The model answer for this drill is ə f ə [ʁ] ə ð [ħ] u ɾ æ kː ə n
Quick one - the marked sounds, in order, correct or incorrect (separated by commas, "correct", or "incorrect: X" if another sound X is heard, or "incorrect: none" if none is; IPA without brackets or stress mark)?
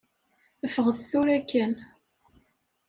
correct, incorrect: θ